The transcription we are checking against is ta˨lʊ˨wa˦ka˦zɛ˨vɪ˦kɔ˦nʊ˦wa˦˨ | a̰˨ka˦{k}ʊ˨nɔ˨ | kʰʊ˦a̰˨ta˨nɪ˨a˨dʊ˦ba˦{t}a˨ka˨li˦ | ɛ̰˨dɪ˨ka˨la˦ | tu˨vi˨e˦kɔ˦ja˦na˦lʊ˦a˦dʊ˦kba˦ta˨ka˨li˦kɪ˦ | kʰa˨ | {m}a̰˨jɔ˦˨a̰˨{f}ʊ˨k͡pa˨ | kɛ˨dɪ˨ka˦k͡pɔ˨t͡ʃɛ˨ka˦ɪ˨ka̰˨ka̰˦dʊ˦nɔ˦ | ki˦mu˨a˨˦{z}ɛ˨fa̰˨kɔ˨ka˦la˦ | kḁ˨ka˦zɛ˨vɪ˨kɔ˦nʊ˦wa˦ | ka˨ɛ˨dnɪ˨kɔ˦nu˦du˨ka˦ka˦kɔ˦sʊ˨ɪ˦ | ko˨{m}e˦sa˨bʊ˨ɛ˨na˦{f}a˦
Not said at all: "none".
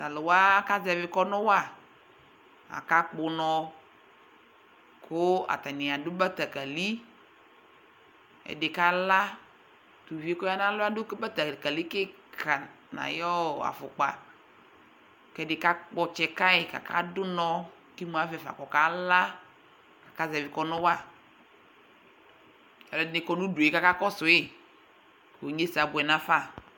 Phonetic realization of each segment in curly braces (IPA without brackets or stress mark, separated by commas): k͡p, t, n, f, v, ɲ, f